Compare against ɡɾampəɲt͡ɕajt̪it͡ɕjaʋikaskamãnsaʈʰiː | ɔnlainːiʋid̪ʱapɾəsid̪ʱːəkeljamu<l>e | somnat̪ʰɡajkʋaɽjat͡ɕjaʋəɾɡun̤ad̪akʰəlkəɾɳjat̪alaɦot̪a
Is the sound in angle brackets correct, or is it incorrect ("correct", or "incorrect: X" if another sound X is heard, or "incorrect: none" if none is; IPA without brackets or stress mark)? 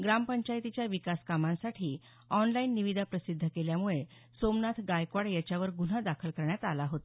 incorrect: ɭ